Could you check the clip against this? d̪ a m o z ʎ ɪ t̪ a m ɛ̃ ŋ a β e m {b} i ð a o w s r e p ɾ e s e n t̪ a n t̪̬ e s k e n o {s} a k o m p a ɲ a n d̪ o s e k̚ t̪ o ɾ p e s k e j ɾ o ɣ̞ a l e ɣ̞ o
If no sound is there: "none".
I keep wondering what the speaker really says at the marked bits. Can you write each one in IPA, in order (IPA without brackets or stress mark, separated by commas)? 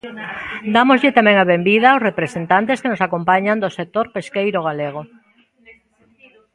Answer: b, s